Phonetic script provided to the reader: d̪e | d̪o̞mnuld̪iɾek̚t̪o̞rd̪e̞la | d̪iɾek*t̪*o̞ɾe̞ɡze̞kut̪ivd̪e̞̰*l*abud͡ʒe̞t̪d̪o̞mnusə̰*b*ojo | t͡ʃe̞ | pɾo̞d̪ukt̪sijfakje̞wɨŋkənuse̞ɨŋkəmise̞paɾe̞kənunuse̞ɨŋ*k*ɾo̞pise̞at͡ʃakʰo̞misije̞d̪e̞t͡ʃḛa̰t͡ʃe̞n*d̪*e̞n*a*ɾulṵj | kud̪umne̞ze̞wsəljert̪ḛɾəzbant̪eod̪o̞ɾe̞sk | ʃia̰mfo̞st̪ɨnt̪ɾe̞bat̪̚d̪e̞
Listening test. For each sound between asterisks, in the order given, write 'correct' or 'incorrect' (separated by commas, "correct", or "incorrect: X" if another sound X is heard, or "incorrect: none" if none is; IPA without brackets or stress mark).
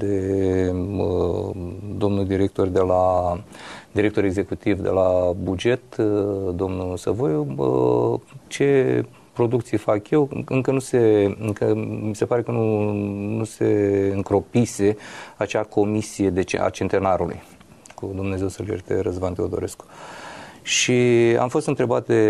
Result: correct, correct, incorrect: v, correct, incorrect: t̪, correct